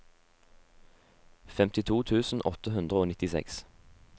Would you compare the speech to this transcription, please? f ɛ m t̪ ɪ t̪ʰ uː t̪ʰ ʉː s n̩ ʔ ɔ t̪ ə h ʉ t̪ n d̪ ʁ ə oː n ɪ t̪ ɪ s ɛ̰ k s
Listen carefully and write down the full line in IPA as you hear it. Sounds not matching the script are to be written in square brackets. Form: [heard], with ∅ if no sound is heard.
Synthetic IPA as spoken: f ɛ m t̪ ɪ t̪ʰ uː t̪ʰ ʉː s n̩ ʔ ɔ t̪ ə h ʉ [∅] n d̪ ʁ ə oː n ɪ t̪ ɪ s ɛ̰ k s